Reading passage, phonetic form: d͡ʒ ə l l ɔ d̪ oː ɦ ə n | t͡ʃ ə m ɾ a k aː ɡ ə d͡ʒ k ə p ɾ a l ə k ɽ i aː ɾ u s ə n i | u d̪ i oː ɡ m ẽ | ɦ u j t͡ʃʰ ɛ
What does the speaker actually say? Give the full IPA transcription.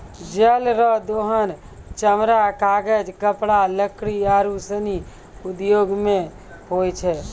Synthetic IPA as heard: d͡ʒ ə l ɾ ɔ d̪ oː ɦ ə n | t͡ʃ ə m ɾ a k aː ɡ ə d͡ʒ k ə p ɽ a l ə k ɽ i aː ɾ u s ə n i | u d̪ j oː ɡ m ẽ | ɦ o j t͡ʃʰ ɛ